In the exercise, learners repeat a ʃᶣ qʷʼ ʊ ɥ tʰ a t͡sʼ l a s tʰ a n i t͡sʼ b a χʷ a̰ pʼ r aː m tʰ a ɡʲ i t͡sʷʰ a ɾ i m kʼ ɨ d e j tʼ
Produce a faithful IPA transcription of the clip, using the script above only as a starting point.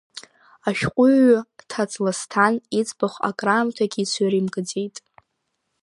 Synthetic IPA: a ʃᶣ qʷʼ ʊ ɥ tʰ a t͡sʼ l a s tʰ a n i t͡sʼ b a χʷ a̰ kʼ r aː m tʰ a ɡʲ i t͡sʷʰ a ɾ i m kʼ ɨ d͡z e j tʼ